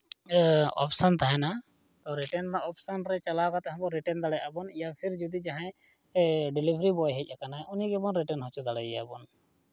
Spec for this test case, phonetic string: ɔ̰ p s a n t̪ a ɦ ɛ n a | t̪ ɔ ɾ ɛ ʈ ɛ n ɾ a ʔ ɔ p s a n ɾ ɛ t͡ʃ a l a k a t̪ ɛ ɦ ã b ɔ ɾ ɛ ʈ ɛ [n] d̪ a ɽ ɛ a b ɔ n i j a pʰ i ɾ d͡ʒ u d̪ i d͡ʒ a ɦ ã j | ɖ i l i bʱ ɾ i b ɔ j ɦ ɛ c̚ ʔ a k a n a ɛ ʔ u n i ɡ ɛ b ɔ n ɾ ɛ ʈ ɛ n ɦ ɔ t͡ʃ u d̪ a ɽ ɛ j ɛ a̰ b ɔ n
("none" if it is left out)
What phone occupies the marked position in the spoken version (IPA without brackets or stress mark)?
n